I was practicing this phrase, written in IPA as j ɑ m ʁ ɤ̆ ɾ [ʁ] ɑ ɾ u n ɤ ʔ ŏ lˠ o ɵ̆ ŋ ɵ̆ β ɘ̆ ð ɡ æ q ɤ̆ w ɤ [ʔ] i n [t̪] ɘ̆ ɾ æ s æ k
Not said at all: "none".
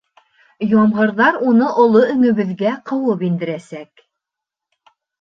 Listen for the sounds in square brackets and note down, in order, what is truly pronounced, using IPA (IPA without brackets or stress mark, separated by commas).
ð, p, d̪